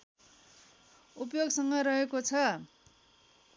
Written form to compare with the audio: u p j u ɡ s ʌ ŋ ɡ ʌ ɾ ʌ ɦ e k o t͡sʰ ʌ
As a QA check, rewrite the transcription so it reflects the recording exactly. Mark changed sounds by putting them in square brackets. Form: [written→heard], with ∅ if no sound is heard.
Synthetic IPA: u p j [u→o] ɡ s ʌ ŋ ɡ ʌ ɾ ʌ ɦ e k o t͡sʰ ʌ